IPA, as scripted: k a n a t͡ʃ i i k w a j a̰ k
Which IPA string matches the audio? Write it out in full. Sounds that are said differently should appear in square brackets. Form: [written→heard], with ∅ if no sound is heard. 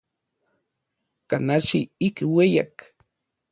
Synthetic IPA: k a n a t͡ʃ i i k w [a→e] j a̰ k